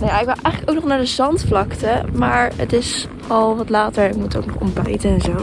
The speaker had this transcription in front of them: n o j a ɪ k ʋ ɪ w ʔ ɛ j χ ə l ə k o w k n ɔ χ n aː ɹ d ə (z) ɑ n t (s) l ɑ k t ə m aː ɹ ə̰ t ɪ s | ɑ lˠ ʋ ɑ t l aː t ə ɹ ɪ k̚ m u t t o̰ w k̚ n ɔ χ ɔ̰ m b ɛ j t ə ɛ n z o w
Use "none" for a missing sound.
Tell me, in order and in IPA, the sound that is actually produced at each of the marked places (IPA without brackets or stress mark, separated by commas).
z, f